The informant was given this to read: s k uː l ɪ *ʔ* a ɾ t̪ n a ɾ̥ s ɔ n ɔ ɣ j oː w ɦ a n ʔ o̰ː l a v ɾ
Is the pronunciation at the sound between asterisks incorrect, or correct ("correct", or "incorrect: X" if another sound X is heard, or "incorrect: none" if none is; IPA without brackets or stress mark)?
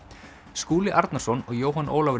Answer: correct